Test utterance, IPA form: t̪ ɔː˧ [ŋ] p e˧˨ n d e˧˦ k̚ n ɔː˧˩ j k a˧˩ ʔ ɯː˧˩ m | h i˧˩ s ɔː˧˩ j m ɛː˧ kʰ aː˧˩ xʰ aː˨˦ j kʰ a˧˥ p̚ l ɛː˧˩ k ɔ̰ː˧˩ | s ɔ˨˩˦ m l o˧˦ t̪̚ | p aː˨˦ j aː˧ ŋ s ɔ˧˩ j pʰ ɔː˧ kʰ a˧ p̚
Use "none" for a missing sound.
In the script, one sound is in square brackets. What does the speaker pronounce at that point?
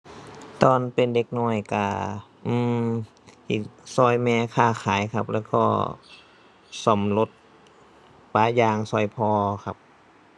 n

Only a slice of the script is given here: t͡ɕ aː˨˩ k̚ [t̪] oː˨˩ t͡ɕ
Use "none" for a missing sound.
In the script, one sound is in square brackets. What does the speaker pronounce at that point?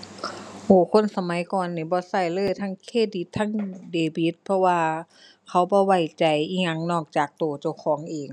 t̪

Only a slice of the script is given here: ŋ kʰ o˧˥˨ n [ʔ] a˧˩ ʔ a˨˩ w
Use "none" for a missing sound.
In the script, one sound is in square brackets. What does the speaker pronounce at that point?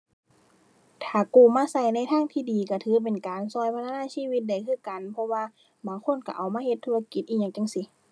k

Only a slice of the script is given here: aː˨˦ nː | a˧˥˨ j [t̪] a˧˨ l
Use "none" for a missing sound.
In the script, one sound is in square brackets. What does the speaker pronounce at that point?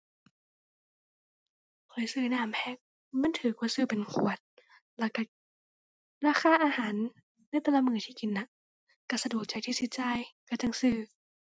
t̪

